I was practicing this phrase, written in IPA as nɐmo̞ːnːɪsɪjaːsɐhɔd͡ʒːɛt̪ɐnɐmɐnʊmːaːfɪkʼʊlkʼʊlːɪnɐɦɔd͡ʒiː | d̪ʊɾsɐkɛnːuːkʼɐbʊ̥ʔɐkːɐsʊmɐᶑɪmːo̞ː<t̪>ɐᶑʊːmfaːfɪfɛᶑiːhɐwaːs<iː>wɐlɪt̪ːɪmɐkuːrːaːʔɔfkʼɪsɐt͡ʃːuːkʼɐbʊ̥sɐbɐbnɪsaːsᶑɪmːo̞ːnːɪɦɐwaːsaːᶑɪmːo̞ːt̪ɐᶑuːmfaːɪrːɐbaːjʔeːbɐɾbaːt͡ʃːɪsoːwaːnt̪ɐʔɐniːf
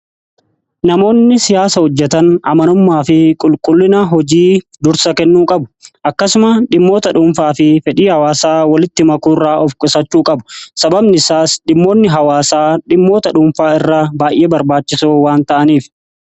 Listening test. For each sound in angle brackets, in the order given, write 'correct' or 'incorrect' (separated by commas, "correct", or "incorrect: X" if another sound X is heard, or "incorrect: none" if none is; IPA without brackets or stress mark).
correct, incorrect: aː